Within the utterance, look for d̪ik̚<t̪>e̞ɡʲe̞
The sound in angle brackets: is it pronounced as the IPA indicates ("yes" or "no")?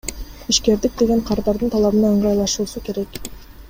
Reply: no